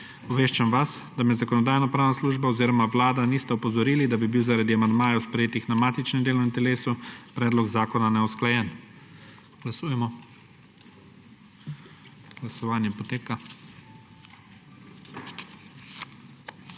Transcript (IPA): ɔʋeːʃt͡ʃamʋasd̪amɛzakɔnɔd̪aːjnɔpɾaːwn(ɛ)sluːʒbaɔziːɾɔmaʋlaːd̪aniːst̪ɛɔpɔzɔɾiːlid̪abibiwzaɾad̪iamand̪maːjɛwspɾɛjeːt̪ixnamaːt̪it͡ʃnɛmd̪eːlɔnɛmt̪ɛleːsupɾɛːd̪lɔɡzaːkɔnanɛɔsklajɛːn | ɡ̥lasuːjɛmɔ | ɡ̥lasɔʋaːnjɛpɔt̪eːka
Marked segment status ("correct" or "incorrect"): incorrect